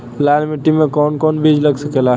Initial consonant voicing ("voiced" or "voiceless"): voiced